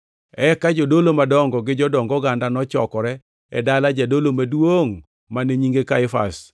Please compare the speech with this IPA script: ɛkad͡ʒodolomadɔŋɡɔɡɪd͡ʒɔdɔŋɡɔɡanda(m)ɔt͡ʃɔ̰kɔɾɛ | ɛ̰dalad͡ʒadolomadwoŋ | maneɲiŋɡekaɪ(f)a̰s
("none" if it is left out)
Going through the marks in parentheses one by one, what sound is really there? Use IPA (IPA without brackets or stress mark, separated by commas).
n, f